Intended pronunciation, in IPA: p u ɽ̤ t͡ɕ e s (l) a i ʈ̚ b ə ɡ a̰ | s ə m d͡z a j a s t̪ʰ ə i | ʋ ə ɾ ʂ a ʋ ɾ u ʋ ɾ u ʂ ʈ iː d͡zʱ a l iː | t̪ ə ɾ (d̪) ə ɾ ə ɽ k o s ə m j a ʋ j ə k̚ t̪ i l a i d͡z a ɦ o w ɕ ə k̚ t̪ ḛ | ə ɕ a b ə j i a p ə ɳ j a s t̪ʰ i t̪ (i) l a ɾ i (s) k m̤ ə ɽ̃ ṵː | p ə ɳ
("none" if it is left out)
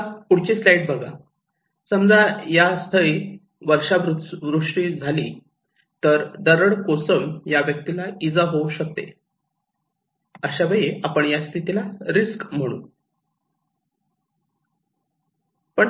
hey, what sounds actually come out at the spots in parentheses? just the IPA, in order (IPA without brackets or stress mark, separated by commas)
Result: l, d̪, i, s